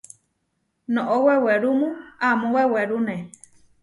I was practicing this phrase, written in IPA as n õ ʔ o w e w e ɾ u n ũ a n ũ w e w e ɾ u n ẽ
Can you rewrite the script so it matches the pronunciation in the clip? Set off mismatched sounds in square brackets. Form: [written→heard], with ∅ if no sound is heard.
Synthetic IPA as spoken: n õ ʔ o w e w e ɾ u [n→m] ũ a [n→m] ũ w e w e ɾ u n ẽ